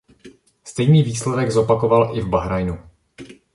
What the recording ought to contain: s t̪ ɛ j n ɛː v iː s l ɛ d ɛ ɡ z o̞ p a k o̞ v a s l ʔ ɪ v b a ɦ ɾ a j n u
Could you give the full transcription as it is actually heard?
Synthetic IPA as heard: s t̪ ɛ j n iː v iː s l ɛ d ɛ ɡ z o̞ p a k o̞ v a l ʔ ɪ v b a ɦ ɾ a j n u